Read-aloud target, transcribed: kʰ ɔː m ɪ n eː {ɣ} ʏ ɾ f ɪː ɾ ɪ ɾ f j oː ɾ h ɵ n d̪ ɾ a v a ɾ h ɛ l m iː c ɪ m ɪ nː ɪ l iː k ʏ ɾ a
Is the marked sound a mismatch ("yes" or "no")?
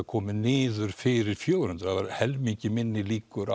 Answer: yes